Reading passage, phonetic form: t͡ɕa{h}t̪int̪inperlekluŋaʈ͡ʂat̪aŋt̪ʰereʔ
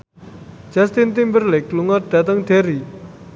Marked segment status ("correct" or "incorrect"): incorrect